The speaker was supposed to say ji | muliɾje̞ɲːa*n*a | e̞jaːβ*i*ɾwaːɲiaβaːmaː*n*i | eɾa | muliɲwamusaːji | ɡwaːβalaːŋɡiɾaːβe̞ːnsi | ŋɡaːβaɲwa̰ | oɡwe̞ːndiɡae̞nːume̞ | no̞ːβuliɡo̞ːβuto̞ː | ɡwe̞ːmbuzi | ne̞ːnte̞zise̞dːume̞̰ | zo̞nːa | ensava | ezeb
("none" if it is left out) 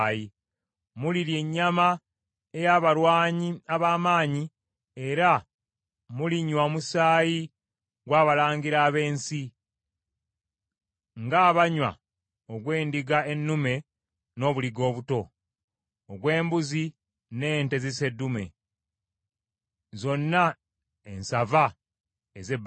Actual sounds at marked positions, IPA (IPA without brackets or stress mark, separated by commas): m, a, ɲ